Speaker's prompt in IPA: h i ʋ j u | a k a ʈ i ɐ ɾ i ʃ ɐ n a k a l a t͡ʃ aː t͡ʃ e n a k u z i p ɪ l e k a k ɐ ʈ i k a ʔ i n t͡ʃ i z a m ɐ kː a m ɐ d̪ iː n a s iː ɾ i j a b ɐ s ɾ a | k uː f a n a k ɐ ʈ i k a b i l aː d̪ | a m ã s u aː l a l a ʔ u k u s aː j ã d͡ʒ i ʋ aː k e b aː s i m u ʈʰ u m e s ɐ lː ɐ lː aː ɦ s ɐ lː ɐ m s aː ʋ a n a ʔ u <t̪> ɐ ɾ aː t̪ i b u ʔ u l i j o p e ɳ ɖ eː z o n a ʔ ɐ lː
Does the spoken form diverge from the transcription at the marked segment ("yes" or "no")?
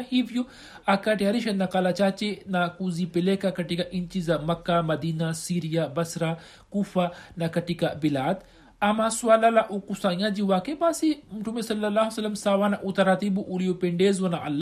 no